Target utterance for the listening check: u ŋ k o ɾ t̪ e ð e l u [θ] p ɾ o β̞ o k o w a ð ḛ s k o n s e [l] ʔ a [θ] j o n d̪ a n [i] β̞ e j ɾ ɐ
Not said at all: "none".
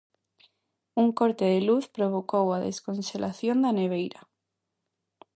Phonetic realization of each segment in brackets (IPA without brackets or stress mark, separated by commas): θ, l, θ, e